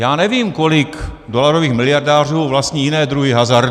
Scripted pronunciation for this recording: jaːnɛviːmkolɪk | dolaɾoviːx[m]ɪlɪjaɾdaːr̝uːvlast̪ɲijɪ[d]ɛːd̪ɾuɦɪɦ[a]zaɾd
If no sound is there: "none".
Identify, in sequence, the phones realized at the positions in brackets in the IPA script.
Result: m, n, a

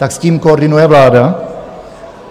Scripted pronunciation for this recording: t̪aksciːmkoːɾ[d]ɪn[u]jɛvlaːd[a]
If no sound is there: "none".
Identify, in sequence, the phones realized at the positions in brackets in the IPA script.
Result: d, u, a

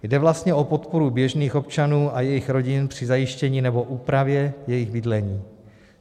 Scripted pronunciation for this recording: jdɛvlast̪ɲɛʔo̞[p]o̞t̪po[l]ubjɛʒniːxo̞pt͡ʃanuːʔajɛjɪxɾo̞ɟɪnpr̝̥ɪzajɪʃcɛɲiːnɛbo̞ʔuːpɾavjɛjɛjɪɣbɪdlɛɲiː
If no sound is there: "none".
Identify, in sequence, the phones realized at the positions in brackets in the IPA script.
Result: p, ɾ

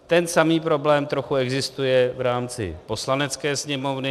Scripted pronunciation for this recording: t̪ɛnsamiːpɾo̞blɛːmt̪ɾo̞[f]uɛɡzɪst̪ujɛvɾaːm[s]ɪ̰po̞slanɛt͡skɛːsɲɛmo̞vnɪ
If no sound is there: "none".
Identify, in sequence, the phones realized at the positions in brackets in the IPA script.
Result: x, t͡s

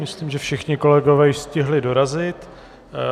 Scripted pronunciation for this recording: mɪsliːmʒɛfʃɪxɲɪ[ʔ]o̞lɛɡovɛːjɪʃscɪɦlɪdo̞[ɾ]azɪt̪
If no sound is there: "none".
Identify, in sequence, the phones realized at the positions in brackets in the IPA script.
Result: k, ɾ

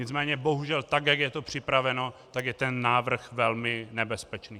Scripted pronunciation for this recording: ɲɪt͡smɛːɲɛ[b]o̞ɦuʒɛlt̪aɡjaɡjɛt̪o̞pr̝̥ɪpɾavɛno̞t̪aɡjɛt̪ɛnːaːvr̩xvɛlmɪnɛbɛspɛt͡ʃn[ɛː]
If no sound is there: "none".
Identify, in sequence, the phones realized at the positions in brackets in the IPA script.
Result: b, iː

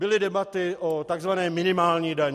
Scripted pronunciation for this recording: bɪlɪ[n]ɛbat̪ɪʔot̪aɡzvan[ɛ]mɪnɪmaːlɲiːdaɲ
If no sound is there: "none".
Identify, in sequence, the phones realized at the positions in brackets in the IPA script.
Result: d, ɛː

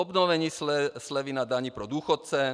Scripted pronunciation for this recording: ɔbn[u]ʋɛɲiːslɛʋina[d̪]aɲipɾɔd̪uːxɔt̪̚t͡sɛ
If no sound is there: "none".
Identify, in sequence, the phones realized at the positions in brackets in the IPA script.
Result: ɔ, d̪

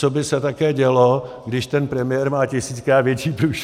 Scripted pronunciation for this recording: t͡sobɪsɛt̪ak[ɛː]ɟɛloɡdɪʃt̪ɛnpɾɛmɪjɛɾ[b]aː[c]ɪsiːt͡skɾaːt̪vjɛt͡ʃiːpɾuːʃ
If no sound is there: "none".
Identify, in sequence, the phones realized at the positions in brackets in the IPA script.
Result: ɛː, m, c

